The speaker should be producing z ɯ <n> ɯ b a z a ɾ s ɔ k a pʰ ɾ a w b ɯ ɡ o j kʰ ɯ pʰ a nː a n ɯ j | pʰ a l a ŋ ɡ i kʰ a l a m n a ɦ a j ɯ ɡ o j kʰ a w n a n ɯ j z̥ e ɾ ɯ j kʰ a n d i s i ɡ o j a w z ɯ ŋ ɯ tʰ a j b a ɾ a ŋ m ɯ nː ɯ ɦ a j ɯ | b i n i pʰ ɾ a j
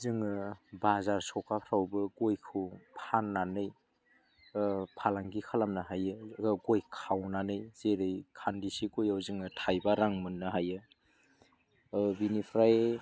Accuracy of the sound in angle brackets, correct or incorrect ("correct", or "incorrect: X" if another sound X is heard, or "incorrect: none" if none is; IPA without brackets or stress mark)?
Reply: incorrect: ŋ